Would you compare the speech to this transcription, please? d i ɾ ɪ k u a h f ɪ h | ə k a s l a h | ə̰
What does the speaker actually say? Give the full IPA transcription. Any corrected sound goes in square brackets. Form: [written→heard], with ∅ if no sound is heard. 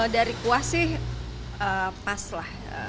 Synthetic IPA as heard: d [i→a] ɾ [ɪ→i] k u a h [f→s] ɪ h | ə [k→p] a s l a h | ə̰

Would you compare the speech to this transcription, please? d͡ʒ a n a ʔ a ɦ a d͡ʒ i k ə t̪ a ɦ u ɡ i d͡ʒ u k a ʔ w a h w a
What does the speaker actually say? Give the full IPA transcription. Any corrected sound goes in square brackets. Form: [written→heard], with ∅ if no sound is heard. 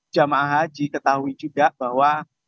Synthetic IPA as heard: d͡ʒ a [n→m] a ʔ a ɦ a d͡ʒ i k ə t̪ a ɦ u [ɡ→∅] i d͡ʒ u [k→ɡ] a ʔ [w→b] a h w a

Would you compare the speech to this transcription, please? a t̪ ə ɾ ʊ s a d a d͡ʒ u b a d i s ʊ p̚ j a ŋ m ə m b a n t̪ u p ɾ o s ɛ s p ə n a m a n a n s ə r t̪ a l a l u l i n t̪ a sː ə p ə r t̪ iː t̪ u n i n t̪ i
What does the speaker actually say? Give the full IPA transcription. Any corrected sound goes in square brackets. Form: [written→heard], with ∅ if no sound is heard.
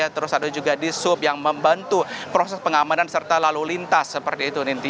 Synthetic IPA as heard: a t̪ ə ɾ ʊ s a d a d͡ʒ u [b→ɡ] a d i s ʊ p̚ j a ŋ m ə m b a n t̪ u p ɾ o s ɛ s p ə [n→ŋ] a m a n a n s ə r t̪ a l a l u l i n t̪ a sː ə p ə r t̪ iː t̪ u n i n t̪ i

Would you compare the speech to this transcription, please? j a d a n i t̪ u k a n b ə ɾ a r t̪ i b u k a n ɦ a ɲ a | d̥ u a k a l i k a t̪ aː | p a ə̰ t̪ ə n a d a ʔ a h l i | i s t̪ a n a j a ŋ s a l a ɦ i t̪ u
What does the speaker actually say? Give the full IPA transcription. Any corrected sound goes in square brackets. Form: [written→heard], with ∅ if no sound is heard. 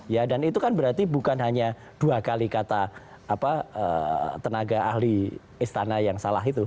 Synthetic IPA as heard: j a d a n i t̪ u k a n b ə ɾ a r t̪ i b u k a n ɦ a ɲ a | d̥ u a k a l i k a t̪ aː | p a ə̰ t̪ ə n a [d→ɡ] a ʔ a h l i | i s t̪ a n a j a ŋ s a l a ɦ i t̪ u

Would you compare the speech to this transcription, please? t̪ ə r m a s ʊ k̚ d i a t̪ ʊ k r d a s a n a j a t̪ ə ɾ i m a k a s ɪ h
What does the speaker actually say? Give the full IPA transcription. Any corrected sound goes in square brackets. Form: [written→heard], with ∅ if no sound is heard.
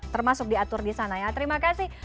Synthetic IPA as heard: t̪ ə r m a s ʊ k̚ d i a t̪ ʊ [k→∅] r d [a→i] s a n a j a t̪ ə ɾ i m a k a s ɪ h

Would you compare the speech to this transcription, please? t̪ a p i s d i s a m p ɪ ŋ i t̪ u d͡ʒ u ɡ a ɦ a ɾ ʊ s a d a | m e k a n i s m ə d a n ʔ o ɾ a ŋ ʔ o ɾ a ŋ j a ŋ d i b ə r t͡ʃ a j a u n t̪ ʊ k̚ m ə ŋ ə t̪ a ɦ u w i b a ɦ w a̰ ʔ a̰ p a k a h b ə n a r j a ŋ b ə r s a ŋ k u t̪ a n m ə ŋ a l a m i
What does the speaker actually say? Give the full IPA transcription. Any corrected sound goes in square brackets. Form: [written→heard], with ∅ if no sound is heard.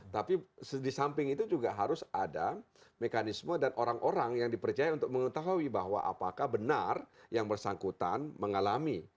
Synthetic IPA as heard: t̪ a p i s d i s a m p ɪ ŋ i t̪ u d͡ʒ u ɡ a ɦ a ɾ ʊ s a d a | m e k a n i s m ə d a n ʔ o ɾ a ŋ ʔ o ɾ a ŋ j a ŋ d i [b→p] ə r t͡ʃ a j a u n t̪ ʊ k̚ m ə ŋ ə t̪ a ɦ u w i b a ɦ w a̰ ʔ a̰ p a k a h b ə n a r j a ŋ b ə r s a ŋ k u t̪ a n m ə ŋ a l a m i

